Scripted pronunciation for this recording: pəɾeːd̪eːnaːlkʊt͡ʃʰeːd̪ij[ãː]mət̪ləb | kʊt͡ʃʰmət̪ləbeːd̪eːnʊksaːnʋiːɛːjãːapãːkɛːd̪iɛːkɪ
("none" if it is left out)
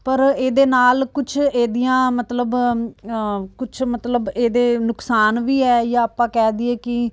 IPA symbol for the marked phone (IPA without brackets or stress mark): ãː